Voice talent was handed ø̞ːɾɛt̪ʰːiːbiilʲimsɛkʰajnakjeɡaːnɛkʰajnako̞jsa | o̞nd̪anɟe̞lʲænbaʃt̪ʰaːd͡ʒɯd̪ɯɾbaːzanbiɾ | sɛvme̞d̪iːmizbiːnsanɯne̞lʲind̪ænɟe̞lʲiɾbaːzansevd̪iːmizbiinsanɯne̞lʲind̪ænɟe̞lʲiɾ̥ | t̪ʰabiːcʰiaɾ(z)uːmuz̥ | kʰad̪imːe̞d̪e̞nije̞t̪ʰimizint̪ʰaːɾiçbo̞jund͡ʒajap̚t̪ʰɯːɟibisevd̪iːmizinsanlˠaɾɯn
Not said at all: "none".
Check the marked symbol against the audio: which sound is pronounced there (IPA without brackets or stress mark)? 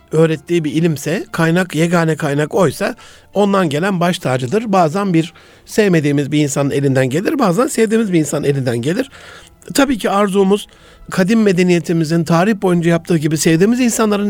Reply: z